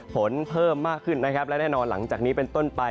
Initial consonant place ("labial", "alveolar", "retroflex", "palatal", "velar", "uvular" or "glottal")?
labial